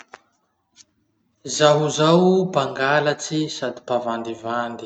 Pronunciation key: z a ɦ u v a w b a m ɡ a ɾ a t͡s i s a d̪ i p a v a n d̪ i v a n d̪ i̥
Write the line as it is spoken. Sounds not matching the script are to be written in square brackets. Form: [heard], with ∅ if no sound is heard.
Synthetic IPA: z a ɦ u [z] a w b a [ŋ] ɡ a [l] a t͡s i s a d̪ i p a v a n d̪ i v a n d̪ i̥